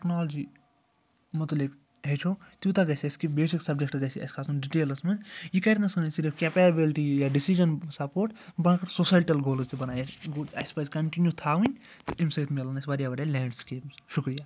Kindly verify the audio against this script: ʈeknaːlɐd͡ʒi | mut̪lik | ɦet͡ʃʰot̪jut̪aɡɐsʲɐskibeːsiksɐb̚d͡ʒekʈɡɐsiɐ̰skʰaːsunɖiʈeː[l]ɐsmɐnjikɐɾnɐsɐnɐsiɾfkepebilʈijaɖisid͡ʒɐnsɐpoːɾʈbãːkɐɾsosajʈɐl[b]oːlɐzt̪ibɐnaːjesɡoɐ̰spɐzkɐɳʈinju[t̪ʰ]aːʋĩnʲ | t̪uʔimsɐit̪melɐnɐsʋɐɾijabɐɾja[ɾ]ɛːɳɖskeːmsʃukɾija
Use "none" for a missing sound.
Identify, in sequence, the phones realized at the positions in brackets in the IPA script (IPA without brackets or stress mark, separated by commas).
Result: l, ɡ, t̪ʰ, l